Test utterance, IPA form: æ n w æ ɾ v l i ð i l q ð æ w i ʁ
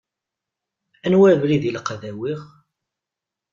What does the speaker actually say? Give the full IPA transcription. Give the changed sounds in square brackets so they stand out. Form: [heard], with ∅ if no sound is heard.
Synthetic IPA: æ n w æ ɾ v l i ð i l q ð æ w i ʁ